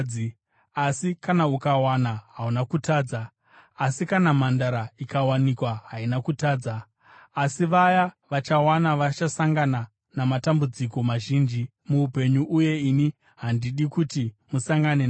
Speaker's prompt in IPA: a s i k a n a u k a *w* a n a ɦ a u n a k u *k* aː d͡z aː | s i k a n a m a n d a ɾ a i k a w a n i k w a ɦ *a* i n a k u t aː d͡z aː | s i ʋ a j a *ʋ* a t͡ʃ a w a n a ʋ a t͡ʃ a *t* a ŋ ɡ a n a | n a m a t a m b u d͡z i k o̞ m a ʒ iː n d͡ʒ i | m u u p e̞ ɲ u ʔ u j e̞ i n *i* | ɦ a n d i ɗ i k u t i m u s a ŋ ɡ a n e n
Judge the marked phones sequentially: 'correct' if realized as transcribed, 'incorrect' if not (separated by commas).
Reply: correct, incorrect, correct, correct, incorrect, correct